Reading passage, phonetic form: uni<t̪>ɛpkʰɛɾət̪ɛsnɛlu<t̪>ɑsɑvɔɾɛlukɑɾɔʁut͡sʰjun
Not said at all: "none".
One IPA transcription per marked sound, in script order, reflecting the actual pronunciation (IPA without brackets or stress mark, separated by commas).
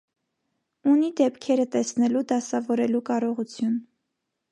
d̪, d̪